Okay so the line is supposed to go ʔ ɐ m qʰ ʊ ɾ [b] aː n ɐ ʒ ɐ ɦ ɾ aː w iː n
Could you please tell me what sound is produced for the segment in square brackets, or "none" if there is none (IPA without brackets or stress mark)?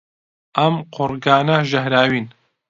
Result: ɡ